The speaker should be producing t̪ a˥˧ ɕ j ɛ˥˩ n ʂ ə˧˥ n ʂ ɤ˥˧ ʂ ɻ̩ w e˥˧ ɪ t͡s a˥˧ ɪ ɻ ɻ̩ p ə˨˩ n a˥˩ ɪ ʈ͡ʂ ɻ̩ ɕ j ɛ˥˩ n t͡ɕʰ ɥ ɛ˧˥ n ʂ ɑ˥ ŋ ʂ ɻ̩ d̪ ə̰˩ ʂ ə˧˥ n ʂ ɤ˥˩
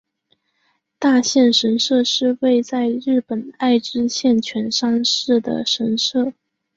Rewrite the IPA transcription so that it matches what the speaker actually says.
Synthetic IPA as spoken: t̪ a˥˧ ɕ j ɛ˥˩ n ʂ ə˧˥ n ʂ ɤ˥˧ ʂ ɻ̩ w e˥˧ ɪ t͡s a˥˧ ɪ ɻ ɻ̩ p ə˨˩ n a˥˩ ɪ ʈ͡ʂ ɻ̩ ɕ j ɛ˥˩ n t͡ɕʰ ɥ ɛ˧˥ n ʂ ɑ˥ ŋ ʂ ɻ̩ d̪ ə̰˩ ʂ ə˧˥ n ʂ ɤ˥˩

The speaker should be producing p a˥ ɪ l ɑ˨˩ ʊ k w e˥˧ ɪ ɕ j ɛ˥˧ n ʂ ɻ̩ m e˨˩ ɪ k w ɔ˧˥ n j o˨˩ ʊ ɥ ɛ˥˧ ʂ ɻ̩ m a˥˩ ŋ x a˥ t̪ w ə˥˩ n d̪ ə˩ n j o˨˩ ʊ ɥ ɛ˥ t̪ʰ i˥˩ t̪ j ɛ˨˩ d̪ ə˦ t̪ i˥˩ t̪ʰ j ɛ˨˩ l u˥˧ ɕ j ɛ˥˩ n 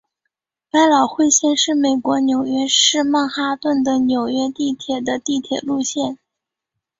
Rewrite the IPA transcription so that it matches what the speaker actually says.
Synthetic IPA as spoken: p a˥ ɪ l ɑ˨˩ ʊ x w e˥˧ ɪ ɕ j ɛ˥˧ n ʂ ɻ̩ m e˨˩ ɪ k w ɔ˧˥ n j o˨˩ ʊ ɥ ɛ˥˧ ʂ ɻ̩ m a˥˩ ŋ x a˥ t̪ w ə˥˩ n d̪ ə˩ n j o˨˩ ʊ ɥ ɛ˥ t̪ i˥˩ t̪ʰ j ɛ˨˩ d̪ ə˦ t̪ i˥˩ t̪ʰ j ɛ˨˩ l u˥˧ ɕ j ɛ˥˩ n

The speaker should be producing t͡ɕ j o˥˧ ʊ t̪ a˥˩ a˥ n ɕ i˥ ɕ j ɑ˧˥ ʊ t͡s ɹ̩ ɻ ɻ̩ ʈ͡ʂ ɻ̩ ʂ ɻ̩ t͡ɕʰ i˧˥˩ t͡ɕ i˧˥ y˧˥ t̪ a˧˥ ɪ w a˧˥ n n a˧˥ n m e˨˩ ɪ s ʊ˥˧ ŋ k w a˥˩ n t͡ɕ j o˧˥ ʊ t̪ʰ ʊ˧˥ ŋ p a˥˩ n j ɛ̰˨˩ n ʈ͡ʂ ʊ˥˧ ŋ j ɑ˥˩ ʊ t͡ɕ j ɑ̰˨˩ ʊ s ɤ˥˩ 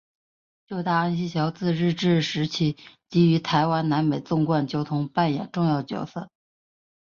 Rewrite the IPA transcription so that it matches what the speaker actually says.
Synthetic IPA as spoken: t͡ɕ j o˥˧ ʊ t̪ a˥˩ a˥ n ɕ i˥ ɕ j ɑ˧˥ ʊ t͡s ɹ̩ ɻ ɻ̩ ʈ͡ʂ ɻ̩ ʂ ɻ̩ t͡ɕʰ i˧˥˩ t͡ɕ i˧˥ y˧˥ t̪ʰ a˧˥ ɪ w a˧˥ n n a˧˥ n m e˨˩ ɪ t͡s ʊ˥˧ ŋ k w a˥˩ n t͡ɕ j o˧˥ ʊ t̪ʰ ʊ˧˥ ŋ p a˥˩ n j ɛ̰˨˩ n ʈ͡ʂ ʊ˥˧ ŋ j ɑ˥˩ ʊ t͡ɕ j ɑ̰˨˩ ʊ s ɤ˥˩

